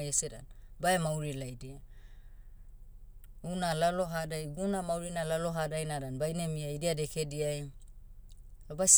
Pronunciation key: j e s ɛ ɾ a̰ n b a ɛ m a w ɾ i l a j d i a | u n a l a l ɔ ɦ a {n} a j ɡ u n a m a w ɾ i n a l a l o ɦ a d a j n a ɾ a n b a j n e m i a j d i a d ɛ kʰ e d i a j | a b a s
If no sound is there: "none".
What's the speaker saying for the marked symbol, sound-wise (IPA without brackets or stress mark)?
d